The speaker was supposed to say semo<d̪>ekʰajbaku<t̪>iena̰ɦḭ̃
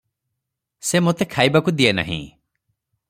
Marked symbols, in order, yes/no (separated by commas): no, no